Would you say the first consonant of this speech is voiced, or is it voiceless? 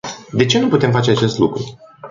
voiced